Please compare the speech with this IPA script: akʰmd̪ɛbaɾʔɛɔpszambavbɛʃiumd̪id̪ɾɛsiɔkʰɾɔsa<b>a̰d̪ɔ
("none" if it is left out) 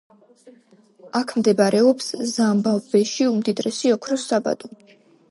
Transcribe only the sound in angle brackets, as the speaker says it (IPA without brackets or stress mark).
b